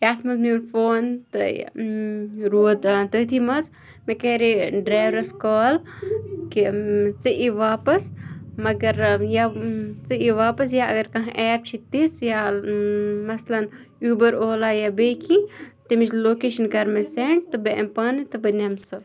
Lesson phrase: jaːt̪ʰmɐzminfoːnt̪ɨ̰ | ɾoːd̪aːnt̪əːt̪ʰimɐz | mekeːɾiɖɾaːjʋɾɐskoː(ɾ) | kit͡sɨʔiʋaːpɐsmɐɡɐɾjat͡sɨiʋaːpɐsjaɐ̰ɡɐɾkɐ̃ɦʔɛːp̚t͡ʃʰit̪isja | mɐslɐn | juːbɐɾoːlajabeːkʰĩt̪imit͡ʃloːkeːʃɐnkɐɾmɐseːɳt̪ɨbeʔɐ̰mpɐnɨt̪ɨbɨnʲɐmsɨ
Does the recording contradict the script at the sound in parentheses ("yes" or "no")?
yes